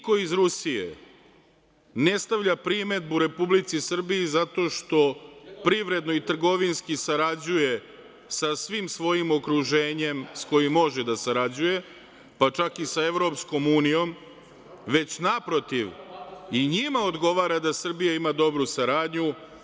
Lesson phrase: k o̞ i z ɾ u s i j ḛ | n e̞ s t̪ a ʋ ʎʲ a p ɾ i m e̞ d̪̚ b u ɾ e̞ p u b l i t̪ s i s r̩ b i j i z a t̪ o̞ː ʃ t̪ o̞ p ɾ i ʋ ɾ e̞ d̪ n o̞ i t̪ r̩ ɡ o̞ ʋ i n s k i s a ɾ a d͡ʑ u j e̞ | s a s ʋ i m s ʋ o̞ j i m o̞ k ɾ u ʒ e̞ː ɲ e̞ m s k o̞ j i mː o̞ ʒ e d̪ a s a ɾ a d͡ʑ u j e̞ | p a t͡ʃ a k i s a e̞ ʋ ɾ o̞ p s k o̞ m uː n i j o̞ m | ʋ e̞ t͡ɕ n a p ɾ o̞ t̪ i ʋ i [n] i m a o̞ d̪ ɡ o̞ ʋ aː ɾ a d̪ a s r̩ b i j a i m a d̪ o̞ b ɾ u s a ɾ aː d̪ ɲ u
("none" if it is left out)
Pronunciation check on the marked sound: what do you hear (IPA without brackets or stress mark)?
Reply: ɲ